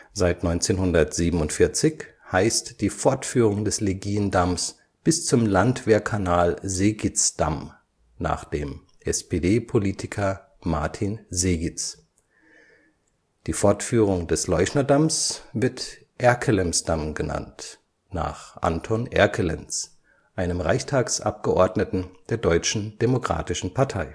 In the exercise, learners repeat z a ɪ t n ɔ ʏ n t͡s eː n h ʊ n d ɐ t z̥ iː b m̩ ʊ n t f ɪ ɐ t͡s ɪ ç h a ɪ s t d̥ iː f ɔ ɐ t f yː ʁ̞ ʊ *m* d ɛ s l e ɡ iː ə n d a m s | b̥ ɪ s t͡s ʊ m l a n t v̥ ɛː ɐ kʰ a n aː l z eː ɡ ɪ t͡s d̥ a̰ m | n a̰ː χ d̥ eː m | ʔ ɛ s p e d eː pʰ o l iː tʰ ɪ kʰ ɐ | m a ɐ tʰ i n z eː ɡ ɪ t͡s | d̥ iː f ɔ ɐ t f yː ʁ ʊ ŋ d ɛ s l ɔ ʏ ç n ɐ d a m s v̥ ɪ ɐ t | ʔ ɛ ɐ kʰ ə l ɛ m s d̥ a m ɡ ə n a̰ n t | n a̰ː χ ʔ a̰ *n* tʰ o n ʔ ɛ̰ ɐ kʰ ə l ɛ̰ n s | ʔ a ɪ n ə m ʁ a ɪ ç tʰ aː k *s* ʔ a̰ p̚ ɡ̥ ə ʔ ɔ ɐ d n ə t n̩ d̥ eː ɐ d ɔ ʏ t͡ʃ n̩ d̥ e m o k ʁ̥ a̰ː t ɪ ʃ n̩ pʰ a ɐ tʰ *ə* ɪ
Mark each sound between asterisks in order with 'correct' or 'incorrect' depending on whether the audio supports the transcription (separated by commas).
incorrect, correct, correct, incorrect